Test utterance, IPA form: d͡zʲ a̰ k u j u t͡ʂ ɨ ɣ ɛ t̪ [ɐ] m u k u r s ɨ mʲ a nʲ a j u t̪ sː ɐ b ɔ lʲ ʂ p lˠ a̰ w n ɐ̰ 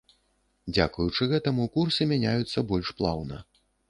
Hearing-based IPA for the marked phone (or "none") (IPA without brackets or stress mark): ɐ